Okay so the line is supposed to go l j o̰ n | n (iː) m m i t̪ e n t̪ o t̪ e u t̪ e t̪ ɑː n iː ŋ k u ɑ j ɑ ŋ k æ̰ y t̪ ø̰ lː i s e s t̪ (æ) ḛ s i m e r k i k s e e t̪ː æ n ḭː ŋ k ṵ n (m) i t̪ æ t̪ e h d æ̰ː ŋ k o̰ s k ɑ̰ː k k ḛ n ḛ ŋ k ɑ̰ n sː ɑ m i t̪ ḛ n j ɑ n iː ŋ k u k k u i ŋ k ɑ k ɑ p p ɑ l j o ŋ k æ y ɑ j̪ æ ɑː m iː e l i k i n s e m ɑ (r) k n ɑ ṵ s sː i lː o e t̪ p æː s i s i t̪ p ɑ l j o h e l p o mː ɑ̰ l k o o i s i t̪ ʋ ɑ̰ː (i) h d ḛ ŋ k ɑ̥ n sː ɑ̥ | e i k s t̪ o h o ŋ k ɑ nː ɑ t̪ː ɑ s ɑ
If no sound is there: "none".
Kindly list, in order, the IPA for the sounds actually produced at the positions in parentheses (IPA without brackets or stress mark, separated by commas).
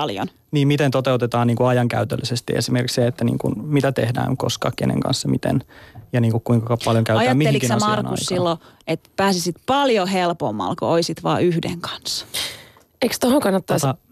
iː, i, m, r, y